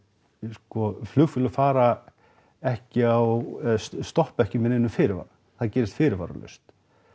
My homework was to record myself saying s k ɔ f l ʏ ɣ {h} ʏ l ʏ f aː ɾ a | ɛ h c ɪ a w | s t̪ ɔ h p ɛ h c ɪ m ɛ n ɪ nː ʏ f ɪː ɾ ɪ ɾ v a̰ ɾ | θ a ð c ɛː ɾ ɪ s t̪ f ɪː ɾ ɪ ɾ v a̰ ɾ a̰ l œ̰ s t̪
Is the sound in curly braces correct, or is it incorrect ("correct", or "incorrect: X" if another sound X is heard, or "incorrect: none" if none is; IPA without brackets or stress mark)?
incorrect: f